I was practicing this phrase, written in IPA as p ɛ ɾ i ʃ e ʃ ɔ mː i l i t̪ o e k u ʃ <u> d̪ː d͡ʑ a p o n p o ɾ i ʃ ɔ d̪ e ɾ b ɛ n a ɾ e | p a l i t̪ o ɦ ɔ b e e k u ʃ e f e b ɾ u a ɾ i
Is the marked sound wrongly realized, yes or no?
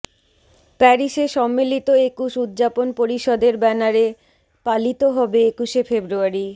no